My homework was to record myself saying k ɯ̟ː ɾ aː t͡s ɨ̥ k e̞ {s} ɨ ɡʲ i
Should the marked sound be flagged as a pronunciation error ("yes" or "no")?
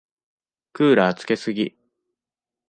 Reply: no